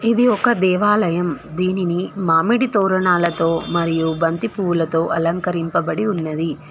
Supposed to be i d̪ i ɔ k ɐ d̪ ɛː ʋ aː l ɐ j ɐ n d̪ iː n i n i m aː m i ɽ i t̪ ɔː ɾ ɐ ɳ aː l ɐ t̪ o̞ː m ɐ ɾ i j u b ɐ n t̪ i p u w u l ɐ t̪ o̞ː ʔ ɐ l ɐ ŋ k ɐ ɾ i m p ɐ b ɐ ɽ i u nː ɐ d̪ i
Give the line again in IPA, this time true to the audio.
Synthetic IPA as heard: i d̪ i ɔ k ɐ d̪ ɛː ʋ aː l ɐ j ɐ m d̪ iː n i n i m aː m i ɽ i t̪ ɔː ɾ ɐ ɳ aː l ɐ t̪ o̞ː m ɐ ɾ i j u b ɐ n t̪ i p u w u l ɐ t̪ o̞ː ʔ ɐ l ɐ ŋ k ɐ ɾ i m p ɐ b ɐ ɽ i u nː ɐ d̪ i